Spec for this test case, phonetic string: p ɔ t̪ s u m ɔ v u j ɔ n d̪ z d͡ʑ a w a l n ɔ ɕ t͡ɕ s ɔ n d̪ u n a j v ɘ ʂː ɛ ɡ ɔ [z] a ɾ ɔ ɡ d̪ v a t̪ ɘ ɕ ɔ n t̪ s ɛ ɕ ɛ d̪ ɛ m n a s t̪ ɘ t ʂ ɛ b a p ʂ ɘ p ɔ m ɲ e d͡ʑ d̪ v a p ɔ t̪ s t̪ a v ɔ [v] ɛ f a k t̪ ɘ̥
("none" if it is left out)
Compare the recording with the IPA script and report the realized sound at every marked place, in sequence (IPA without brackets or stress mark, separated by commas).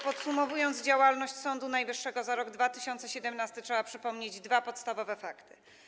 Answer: z, v